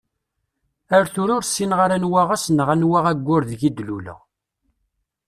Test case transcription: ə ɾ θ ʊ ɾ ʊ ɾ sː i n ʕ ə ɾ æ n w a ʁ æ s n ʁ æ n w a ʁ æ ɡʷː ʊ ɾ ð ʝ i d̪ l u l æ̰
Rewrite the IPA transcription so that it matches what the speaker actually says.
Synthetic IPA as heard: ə ɾ θ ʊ ɾ ʊ ɾ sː i n ʁ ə ɾ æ n w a ʁ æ s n ʁ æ n w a ʁ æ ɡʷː ʊ ɾ ð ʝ i d̪ l u l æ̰

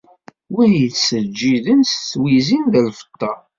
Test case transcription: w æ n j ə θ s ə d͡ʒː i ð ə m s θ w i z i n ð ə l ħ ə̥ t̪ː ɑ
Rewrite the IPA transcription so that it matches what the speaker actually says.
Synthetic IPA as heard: w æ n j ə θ s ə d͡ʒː i ð ə n s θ w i z i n ð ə l f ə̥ t̪ː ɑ

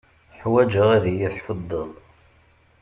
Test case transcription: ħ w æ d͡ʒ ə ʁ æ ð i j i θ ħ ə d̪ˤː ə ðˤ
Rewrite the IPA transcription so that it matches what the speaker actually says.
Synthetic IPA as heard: ħ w æ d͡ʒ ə ʁ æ ð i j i θ ħ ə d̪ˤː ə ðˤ

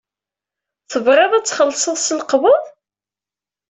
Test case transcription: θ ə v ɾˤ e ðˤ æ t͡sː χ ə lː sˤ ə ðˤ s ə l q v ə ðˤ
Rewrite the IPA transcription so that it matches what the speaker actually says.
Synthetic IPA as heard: θ ə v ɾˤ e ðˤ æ t͡sː χ ə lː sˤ ə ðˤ s ə l q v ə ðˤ

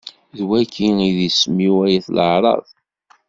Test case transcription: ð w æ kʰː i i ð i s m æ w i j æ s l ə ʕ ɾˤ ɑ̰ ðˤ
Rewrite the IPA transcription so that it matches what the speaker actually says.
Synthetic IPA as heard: ð w æ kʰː i i ð i s m i w æ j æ θ l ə ʕ ɾˤ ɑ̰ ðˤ

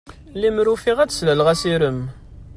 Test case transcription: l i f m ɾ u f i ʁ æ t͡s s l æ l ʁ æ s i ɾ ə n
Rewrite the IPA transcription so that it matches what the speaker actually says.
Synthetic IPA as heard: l i m ɾ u f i ʁ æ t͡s s l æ l ʁ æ s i ɾ ə m

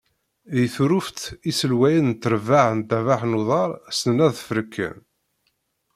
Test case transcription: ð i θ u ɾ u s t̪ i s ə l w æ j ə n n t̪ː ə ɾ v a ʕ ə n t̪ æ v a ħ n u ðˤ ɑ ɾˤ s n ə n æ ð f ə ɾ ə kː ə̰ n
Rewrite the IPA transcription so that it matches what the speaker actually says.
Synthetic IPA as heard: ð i θ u ɾ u f t̪ i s ə l w æ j ə n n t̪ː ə ɾ v a ʕ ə n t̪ æ v a ħ n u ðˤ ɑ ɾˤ s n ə n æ ð f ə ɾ ə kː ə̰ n

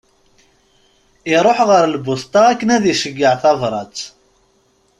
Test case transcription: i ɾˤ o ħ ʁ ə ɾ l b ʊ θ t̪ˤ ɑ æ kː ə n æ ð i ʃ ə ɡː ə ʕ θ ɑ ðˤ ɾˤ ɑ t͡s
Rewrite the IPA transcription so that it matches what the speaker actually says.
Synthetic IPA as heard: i ɾˤ o ħ ʁ ə ɾ l b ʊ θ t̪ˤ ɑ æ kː ə n æ ð i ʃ ə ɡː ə ʕ θ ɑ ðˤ ɾˤ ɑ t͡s

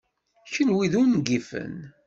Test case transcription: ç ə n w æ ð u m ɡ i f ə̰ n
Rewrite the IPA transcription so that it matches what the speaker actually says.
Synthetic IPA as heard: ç ə n w i ð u n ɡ i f ə̰ n

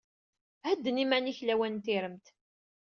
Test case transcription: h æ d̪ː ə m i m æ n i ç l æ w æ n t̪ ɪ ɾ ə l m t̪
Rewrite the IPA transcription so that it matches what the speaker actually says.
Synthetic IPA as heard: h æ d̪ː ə n i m æ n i ç l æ w æ n t̪ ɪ ɾ ə m t̪

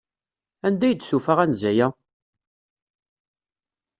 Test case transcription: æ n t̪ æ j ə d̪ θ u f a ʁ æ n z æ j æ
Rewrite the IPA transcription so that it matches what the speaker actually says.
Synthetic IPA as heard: æ n d̪ æ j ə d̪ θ u f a ʁ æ n z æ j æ

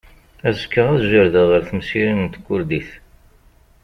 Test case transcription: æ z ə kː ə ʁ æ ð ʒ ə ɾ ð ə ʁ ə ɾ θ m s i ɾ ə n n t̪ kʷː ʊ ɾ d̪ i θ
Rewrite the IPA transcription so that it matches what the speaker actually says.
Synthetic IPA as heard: æ z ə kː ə ʁ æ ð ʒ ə ɾ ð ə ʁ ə ɾ θ m s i ɾ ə n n t̪ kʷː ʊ ɾ d̪ i θ

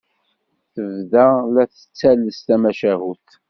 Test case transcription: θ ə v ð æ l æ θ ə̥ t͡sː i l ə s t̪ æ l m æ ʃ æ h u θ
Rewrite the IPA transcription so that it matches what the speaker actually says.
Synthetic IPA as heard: θ ə v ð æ l æ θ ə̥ t͡sː æ l ə s t̪ æ m æ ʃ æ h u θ

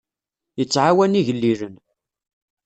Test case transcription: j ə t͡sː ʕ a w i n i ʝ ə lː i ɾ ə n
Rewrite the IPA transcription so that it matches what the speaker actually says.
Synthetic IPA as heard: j ə t͡sː ʕ a w æ n i ʝ ə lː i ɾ ə n

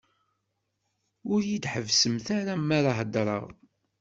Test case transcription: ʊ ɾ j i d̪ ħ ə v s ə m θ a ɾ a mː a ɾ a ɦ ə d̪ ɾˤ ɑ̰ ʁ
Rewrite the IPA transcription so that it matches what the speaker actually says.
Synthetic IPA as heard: ʊ ɾ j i d̪ ħ ə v s ə m θ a ɾ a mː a ɾ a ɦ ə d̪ ɾˤ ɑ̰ ʁ

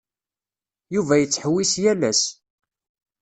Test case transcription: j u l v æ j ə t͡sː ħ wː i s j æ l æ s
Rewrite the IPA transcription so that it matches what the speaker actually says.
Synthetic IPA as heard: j u v æ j ə t͡sː ħ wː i s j æ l æ s

